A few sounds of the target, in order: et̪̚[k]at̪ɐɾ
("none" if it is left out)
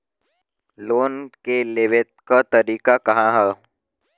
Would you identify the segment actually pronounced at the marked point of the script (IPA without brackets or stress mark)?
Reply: k